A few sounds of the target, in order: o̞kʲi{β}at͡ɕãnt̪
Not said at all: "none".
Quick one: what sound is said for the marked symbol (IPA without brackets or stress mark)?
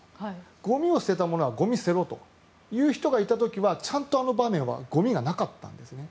β